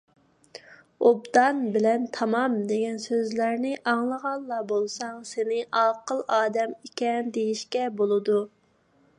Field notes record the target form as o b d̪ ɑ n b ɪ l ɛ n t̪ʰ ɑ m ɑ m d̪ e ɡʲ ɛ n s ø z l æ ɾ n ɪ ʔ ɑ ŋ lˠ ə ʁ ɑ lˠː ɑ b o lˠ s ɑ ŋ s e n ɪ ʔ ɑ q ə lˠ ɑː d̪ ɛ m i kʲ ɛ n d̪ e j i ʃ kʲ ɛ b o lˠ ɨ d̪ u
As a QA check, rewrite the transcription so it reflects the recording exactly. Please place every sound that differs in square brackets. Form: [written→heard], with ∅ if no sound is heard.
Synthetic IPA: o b d̪ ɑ n b ɪ l ɛ n t̪ʰ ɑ m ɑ m d̪ e ɡʲ ɛ n s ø z l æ ɾ n ɪ ʔ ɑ ŋ lˠ ə ʁ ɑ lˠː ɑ b o lˠ s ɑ ŋ s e n ɪ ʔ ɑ q ə lˠ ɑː d̪ ɛ m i kʲ ɛ n d̪ e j i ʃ kʲ ɛ b o lˠ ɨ d̪ u